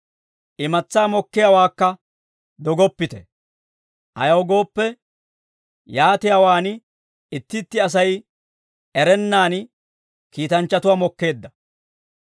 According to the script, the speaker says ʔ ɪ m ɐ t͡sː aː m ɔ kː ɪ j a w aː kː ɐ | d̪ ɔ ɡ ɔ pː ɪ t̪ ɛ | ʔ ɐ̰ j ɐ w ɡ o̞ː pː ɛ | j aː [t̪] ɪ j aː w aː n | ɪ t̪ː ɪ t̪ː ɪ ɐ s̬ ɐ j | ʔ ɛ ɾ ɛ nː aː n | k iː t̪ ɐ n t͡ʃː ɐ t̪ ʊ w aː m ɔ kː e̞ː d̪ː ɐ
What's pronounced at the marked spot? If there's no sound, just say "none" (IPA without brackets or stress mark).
t̪